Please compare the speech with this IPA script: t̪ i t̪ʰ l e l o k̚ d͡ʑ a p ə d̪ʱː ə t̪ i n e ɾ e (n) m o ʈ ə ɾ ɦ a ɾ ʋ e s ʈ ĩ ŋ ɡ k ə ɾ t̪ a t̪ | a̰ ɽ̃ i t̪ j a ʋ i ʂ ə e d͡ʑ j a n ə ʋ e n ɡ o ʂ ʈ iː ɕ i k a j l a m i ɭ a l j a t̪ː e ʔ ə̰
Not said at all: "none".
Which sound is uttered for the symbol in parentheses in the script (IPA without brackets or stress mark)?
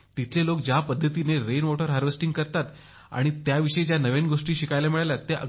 n